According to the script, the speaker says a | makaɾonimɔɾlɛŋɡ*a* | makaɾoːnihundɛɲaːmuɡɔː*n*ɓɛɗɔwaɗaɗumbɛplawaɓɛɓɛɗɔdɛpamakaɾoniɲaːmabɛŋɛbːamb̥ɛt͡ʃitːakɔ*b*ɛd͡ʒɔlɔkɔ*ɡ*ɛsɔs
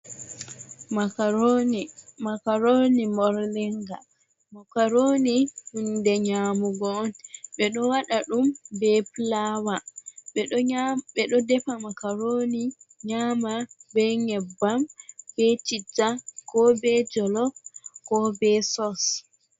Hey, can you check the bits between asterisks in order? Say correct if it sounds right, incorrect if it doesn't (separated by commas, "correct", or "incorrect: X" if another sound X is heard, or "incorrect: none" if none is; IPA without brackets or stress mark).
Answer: correct, correct, correct, incorrect: b